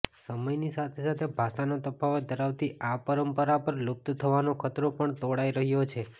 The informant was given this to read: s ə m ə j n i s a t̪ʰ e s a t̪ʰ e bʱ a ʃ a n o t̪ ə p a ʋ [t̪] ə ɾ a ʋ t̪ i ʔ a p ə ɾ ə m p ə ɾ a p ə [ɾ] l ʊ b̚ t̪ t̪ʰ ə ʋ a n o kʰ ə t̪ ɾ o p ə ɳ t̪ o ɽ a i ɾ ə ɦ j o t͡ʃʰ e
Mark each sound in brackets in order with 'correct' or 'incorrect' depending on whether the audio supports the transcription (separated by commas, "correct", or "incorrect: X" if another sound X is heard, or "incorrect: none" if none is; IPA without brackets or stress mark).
incorrect: d̪, correct